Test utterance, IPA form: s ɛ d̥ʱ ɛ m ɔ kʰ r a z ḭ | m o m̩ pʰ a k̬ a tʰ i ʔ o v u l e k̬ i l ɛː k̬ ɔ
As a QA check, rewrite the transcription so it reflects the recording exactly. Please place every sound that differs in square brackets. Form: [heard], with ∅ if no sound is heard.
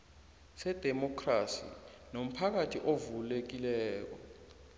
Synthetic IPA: s ɛ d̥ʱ ɛ m ɔ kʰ r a [s] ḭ | [n] o m̩ pʰ a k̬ a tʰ i ʔ o v u l e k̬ i l ɛː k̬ ɔ